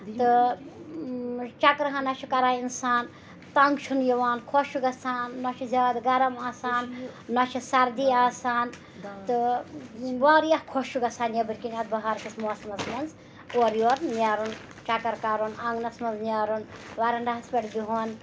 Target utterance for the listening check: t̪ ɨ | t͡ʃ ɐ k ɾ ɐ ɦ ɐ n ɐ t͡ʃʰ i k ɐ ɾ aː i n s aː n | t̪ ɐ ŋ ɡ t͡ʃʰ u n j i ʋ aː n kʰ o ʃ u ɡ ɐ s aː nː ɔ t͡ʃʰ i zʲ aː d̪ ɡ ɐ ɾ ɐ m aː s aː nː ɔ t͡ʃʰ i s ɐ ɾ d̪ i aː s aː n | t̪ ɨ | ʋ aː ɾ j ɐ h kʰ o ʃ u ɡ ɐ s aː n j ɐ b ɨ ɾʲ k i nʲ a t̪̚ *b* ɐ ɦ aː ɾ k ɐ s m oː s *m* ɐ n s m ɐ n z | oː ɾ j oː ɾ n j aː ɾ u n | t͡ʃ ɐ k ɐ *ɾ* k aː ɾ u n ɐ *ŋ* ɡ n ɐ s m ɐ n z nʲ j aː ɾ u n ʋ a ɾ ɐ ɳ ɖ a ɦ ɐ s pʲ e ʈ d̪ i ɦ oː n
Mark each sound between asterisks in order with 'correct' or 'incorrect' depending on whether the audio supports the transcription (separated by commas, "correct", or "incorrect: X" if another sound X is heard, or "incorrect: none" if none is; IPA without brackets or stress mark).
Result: correct, correct, correct, correct